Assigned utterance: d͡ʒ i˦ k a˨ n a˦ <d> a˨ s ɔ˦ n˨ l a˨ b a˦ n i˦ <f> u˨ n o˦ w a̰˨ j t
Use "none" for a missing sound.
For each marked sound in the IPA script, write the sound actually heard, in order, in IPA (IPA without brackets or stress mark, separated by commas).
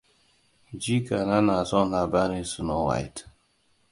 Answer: n, s